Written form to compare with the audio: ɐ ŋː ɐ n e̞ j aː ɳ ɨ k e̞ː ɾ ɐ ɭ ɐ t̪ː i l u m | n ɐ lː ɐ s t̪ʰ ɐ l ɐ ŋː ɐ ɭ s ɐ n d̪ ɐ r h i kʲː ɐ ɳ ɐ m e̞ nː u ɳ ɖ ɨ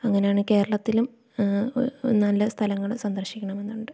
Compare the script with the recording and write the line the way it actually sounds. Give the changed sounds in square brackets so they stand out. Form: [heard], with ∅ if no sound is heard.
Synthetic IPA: ɐ ŋː ɐ n e̞ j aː ɳ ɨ k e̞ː ɾ ɐ ɭ ɐ t̪ː i l u m | n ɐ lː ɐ s t̪ʰ ɐ l ɐ ŋː ɐ ɭ s ɐ n d̪ ɐ r [ɕ] i kʲː ɐ ɳ ɐ m e̞ nː u ɳ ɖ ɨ